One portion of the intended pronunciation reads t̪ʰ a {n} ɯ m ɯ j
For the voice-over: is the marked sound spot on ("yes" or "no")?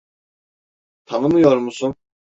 yes